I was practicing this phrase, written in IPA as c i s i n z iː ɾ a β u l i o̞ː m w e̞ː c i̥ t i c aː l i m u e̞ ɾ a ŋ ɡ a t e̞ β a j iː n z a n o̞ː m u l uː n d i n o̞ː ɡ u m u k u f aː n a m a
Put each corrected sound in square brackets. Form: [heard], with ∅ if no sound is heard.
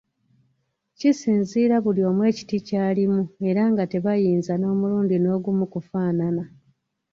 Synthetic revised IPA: c i s [iː] n z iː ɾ a β u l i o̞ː m w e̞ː c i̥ t i c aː l i m u e̞ ɾ a ŋ ɡ a t e̞ β a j iː n z a n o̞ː m u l uː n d i n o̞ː ɡ u m u k u f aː n a [n] a